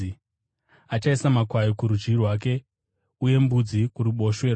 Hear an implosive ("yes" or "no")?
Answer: yes